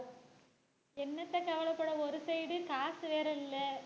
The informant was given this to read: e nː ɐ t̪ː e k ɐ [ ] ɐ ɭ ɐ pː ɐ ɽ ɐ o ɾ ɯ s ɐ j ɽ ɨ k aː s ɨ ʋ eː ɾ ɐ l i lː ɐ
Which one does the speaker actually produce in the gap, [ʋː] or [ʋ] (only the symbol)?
ʋ